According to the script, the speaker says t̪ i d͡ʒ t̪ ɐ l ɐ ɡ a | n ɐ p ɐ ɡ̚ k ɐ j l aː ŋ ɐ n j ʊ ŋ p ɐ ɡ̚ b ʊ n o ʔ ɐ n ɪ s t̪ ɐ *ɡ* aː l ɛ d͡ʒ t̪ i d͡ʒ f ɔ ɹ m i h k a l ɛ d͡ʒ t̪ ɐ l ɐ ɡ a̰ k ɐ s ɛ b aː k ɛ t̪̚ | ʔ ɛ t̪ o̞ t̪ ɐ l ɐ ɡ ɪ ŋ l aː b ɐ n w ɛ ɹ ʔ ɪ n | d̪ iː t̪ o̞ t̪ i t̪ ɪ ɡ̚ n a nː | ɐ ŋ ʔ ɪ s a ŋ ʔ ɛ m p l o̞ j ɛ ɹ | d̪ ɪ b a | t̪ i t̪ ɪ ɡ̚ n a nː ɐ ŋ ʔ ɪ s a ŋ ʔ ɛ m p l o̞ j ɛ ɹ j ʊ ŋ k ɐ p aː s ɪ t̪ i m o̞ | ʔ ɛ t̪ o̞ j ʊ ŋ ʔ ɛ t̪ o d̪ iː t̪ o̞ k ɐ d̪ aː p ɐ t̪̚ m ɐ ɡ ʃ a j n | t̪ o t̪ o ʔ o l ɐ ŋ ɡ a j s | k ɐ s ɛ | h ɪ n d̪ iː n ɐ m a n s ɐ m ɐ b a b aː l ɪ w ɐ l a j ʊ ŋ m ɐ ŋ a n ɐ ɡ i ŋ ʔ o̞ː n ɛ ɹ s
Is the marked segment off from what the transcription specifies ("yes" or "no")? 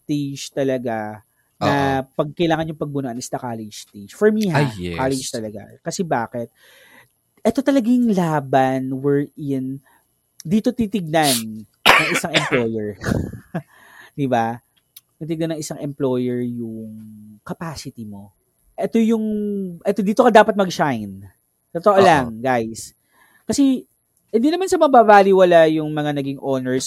yes